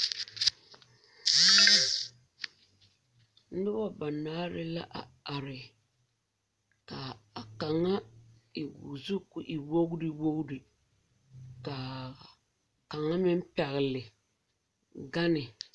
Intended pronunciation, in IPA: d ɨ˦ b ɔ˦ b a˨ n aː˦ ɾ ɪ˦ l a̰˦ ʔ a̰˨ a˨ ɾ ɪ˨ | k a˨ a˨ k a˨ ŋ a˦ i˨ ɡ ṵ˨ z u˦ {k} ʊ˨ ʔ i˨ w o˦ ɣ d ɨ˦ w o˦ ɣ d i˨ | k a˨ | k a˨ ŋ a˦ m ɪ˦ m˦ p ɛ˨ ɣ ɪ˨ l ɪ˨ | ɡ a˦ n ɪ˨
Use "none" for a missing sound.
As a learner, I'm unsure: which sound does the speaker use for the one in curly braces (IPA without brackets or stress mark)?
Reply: k